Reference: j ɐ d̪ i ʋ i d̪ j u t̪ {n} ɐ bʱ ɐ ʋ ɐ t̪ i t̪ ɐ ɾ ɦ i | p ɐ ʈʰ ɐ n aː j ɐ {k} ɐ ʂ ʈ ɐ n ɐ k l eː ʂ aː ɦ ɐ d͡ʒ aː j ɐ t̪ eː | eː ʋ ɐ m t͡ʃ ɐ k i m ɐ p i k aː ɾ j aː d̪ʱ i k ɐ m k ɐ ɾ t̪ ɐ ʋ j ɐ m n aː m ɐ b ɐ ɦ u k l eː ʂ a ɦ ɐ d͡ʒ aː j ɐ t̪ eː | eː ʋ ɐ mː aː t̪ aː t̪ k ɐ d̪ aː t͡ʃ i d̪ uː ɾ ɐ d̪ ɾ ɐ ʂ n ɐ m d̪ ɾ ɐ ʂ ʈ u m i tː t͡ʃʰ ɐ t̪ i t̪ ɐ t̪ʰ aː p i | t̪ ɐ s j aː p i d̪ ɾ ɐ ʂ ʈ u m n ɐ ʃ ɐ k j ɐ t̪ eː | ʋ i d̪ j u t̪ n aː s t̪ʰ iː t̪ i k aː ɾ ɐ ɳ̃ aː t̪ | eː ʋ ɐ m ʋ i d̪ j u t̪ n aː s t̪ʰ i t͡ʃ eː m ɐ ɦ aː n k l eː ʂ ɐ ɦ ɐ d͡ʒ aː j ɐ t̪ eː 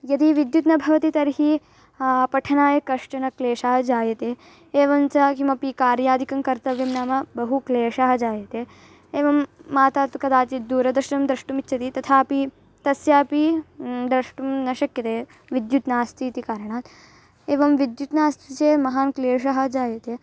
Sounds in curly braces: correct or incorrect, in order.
correct, correct

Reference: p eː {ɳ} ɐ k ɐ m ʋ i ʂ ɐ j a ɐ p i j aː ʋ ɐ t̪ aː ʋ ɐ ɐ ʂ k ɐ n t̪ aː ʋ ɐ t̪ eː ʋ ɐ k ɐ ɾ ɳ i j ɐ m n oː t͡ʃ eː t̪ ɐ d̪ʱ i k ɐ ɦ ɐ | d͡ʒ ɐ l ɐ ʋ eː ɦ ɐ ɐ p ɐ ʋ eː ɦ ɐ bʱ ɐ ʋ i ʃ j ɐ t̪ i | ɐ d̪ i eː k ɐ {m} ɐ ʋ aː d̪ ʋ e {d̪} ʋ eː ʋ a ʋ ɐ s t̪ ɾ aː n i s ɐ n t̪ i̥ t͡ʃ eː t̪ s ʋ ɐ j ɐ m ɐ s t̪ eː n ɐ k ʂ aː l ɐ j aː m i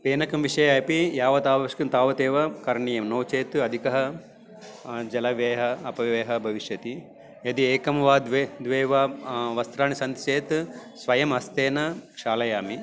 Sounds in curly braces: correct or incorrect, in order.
incorrect, correct, correct

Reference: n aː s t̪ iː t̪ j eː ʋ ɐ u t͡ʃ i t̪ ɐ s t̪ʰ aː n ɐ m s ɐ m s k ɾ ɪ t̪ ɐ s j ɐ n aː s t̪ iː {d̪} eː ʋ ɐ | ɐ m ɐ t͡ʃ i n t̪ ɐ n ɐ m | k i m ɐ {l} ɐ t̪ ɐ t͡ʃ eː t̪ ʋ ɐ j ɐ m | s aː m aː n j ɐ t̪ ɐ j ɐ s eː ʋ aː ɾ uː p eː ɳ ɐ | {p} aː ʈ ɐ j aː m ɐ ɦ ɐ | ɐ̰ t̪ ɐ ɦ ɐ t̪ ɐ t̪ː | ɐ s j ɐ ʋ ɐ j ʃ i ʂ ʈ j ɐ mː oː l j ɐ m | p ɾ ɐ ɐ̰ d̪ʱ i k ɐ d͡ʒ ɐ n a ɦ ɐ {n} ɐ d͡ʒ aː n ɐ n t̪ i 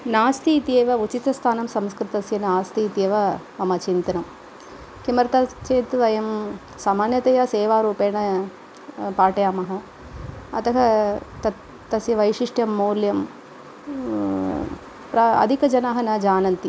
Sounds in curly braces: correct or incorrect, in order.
incorrect, incorrect, correct, correct

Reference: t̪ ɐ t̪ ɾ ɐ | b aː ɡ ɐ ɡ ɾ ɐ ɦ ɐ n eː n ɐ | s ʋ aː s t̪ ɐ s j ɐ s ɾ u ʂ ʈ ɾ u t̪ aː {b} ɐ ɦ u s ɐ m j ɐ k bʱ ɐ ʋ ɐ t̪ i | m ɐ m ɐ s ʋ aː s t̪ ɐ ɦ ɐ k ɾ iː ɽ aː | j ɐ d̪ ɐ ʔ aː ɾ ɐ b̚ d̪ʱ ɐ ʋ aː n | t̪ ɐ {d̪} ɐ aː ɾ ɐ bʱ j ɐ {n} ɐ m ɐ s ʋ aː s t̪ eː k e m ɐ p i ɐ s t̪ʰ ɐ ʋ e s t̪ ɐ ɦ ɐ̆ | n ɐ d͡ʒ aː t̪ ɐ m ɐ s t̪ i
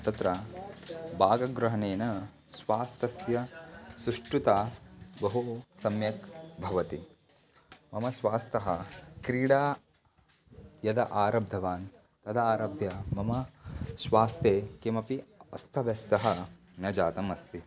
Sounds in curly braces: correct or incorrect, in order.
correct, correct, incorrect

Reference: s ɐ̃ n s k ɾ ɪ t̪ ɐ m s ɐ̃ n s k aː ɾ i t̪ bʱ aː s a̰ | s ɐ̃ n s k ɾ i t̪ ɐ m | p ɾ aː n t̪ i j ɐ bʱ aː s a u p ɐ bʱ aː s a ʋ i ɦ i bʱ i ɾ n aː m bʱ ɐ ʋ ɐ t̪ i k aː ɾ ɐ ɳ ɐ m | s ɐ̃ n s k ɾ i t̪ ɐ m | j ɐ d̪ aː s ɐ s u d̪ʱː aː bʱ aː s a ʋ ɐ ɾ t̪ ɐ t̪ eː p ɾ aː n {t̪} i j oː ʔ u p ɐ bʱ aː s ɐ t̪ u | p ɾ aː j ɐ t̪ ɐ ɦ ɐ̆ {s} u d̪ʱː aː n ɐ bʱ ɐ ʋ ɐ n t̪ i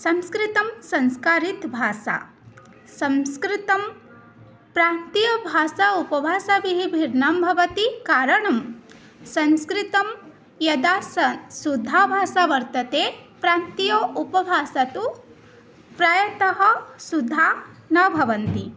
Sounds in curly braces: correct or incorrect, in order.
correct, correct

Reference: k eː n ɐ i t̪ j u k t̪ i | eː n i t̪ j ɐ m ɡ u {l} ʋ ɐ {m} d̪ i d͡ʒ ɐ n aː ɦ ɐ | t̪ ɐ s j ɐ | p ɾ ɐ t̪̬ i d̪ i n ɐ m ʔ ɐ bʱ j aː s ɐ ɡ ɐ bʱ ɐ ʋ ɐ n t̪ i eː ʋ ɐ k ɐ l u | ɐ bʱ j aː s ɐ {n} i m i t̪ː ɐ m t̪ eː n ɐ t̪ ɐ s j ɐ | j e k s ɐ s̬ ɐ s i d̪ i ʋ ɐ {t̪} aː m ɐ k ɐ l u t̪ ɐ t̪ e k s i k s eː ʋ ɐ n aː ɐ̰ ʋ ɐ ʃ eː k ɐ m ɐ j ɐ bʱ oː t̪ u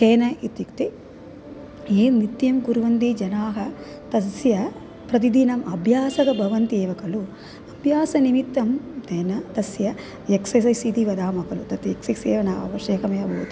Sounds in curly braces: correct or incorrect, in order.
incorrect, incorrect, correct, incorrect

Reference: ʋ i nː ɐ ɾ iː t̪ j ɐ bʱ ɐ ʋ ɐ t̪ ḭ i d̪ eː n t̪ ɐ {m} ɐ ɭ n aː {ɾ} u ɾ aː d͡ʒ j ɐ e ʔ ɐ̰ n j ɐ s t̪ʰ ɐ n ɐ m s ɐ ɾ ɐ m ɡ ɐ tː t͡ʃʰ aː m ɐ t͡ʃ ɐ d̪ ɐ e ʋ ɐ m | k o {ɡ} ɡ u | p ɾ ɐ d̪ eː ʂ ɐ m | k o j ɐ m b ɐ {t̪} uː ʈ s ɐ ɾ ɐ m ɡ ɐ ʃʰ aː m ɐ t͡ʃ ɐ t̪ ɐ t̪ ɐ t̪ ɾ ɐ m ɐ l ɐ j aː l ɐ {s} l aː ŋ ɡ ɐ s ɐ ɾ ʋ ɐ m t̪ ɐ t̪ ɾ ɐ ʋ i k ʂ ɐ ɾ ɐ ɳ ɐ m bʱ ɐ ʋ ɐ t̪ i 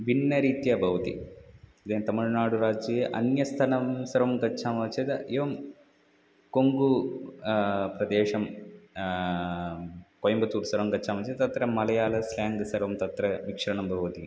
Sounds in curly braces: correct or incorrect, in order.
correct, incorrect, incorrect, correct, correct

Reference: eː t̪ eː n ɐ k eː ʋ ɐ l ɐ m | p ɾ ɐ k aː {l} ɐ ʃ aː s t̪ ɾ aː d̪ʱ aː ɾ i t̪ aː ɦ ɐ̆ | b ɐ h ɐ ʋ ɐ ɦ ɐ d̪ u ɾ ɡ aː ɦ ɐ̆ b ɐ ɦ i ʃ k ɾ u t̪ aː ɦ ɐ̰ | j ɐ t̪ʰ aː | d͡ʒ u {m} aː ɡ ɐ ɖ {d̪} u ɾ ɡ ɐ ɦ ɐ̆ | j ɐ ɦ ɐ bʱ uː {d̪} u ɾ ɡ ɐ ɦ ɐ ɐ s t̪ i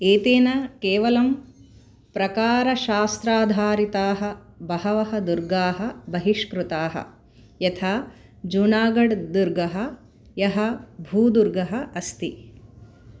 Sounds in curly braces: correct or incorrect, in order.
incorrect, incorrect, correct, correct

